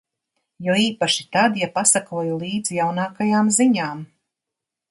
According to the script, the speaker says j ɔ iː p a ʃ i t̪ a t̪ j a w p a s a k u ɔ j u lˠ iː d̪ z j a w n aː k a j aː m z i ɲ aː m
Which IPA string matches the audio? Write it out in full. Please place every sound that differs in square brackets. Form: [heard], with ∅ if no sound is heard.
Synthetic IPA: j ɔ iː p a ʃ i t̪ a [d̪] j a [∅] p a s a k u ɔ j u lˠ iː d̪ z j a w n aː k a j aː m z i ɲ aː m